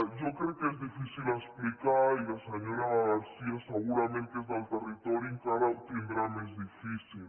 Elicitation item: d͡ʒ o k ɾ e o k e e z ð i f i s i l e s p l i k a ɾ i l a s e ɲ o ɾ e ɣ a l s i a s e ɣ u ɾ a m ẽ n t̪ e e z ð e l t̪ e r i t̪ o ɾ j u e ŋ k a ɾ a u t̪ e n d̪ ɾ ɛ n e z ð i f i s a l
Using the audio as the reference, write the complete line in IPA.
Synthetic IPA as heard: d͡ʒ o k ɾ e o k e e z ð i f i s i l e s p l i k a ɾ i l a s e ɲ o ɾ a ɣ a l s i a s e ɣ u ɾ a m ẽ n t̪ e e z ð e l t̪ e r i t̪ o ɾ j u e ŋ k a ɾ a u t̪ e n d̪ ɾ a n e z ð i f i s i l